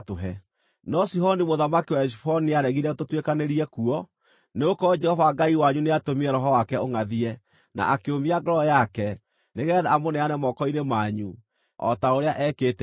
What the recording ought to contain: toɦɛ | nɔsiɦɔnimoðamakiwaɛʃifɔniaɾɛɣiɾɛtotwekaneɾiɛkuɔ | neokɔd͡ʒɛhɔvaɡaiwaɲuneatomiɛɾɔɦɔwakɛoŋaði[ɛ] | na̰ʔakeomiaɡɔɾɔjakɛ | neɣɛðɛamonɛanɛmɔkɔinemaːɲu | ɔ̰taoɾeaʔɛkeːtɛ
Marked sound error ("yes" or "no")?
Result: no